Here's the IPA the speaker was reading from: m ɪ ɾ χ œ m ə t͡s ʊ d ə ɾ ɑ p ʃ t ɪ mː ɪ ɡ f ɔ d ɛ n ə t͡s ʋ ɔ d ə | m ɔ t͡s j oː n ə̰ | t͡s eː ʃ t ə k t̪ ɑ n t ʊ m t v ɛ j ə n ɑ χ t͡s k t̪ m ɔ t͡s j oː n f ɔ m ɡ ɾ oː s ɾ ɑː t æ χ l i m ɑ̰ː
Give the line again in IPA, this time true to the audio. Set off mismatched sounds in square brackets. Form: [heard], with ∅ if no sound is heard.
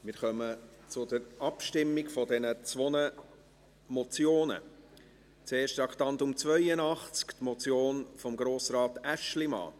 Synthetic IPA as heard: m ɪ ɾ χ œ m ə t͡s ʊ d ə ɾ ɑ p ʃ t ɪ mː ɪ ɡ f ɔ d ɛ n ə t͡s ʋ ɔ [n] ə | m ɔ t͡s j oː n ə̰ | t͡s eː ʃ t [ɑ] k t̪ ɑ n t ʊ m [t͡s] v [œ] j ə n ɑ χ t͡s k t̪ m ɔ t͡s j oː n f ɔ m ɡ ɾ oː s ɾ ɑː t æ [ʃ] l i m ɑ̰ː